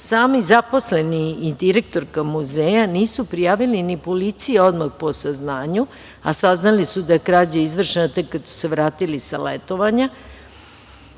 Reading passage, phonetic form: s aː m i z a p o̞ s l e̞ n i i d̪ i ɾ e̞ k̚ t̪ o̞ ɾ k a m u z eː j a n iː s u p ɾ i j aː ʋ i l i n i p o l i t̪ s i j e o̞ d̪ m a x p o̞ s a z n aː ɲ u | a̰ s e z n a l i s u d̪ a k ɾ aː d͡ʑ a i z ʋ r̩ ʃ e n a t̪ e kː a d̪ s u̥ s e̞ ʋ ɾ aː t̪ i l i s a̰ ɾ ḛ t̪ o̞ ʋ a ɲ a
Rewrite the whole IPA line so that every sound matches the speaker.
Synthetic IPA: s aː m i z a p o̞ s l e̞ n i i d̪ i ɾ e̞ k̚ t̪ o̞ ɾ k a m u z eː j a n iː s u p ɾ i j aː ʋ i l i n i p o l i t̪ s i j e o̞ d̪ m a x p o̞ s a z n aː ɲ u | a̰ s a z n a l i s u d̪ a k ɾ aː d͡ʑ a i z ʋ r̩ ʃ e n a t̪ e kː a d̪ s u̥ s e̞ ʋ ɾ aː t̪ i l i s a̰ l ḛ t̪ o̞ ʋ a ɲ a